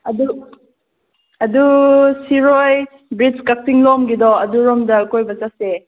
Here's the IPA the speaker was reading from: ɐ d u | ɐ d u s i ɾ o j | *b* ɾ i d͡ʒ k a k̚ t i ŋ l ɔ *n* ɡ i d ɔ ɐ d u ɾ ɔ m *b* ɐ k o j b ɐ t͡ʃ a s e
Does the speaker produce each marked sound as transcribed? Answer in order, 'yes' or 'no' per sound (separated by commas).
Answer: yes, no, no